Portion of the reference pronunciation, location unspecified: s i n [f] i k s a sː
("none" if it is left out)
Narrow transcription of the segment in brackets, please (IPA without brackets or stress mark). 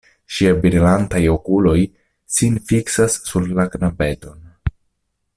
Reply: f